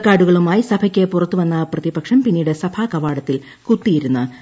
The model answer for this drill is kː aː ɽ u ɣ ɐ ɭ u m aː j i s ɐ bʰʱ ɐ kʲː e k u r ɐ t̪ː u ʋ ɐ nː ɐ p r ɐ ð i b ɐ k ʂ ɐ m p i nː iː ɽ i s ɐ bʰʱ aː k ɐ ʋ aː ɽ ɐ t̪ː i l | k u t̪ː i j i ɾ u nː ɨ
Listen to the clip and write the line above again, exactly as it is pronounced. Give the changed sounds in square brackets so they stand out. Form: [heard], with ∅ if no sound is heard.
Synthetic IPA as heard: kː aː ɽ u ɣ ɐ ɭ u m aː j i s ɐ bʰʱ ɐ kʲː e [p] u r ɐ t̪ː u ʋ ɐ nː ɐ p r ɐ ð i b ɐ k ʂ ɐ m p i nː iː ɽ [e] s ɐ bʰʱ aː k ɐ ʋ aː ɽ ɐ t̪ː i l | k u t̪ː i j i ɾ u nː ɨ